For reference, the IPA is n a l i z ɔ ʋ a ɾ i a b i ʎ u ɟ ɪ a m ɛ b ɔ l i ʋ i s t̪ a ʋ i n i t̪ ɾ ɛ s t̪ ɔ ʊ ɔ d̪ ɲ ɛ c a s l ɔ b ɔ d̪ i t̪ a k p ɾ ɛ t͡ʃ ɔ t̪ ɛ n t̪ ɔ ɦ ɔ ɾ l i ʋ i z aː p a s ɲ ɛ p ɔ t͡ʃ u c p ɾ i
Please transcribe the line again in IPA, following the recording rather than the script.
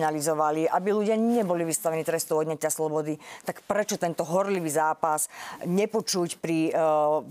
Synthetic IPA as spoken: n a l i z ɔ ʋ a l i a b i l u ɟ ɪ a ɲ ɛ b ɔ l i ʋ i s t̪ a ʋ ɛ n i t̪ ɾ ɛ s t̪ ɔ ʊ ɔ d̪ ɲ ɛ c a s l ɔ b ɔ d̪ i t̪ a k p ɾ ɛ t͡ʃ ɔ t̪ ɛ n t̪ ɔ ɦ ɔ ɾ l i ʋ i z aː p a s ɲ ɛ p ɔ t͡ʃ u c p ɾ i